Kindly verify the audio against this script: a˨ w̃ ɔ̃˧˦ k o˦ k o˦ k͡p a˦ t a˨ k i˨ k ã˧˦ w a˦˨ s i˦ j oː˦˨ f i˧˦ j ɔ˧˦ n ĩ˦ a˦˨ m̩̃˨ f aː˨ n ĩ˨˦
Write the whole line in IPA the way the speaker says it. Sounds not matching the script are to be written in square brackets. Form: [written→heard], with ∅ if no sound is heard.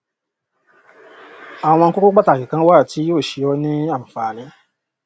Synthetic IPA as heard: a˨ w̃ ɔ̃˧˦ k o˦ k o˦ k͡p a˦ t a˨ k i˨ k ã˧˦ w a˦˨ [s→t] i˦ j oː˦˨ [f→ʃ] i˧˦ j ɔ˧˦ n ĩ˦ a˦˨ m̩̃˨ f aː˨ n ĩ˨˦